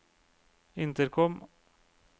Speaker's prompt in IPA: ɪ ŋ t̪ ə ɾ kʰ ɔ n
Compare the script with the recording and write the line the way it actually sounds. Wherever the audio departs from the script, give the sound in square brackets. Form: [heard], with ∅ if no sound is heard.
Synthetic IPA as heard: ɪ [n] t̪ ə ɾ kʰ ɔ [m]